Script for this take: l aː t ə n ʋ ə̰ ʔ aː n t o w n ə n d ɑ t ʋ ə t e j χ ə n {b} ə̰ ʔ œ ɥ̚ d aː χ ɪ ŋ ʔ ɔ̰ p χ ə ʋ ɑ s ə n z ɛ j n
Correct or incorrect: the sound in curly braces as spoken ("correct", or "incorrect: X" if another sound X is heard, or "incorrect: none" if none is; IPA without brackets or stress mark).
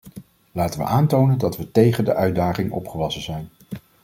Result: incorrect: d